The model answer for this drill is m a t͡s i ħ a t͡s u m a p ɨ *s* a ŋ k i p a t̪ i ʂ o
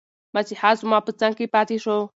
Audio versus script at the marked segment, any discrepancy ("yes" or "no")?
yes